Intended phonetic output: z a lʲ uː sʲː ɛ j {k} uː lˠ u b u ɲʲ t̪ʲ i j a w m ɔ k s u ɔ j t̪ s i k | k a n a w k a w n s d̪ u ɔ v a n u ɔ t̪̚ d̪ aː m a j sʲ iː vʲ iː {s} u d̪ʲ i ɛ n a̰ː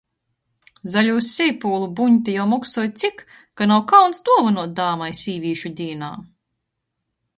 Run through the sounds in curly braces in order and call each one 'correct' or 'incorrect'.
incorrect: p, incorrect: ʃ

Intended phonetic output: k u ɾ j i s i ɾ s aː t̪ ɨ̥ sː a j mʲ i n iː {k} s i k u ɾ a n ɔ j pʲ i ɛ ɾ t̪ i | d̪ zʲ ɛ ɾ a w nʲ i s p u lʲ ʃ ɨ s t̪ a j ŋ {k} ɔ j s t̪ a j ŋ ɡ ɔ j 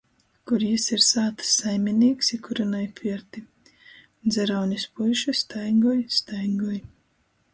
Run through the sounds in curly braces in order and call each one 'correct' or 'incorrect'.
correct, incorrect: ɡ

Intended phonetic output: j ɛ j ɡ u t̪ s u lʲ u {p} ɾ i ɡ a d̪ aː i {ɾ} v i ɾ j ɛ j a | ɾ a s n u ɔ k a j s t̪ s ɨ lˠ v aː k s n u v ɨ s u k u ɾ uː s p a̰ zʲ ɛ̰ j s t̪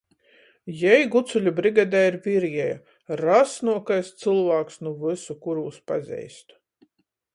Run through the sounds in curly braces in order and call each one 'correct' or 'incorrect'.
incorrect: b, correct

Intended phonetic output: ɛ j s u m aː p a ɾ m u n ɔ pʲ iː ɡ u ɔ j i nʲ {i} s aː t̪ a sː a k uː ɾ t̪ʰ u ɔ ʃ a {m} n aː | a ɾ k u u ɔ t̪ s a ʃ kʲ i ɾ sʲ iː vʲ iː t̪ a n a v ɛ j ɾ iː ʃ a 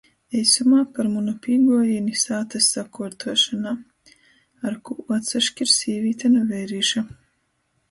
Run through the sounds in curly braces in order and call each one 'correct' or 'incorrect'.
correct, incorrect: none

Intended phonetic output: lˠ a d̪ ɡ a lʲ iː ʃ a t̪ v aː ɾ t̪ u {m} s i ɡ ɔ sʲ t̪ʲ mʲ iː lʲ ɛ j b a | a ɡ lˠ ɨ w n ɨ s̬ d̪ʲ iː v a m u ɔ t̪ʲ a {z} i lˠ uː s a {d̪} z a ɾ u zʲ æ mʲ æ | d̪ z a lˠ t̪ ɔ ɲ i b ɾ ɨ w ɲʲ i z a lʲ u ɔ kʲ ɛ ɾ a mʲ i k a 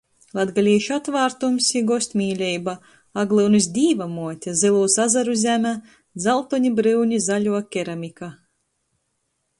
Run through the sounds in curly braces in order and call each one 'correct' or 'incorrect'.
correct, correct, incorrect: none

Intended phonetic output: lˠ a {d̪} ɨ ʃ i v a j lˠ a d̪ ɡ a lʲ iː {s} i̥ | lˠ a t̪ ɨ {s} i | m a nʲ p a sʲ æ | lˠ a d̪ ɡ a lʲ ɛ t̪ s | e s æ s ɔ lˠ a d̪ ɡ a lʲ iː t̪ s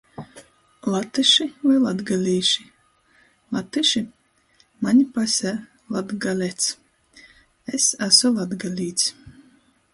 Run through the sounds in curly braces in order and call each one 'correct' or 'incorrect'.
incorrect: t̪, incorrect: ʃ, incorrect: ʃ

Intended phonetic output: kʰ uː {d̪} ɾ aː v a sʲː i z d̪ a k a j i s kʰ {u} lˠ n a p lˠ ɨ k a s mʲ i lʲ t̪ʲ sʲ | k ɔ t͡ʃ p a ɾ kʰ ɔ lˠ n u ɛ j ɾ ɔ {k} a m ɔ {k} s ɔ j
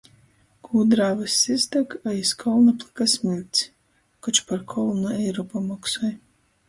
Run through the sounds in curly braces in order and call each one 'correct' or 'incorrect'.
correct, incorrect: ɔ, incorrect: p, correct

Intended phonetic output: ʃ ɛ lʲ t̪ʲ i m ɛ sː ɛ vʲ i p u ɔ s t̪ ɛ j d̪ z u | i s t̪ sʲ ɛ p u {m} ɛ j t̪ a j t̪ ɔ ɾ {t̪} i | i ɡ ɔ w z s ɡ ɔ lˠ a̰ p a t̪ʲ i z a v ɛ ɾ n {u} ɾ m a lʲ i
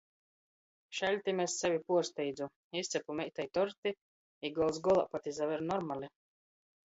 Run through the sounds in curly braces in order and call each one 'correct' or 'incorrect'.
correct, correct, incorrect: ɔ

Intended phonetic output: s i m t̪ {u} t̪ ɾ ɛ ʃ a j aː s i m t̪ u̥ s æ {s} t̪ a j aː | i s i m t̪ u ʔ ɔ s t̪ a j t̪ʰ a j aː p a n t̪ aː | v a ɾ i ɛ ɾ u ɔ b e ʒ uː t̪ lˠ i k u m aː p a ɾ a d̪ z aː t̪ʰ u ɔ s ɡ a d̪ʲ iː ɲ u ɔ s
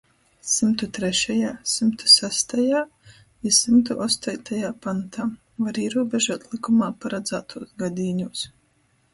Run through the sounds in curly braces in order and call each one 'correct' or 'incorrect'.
correct, correct

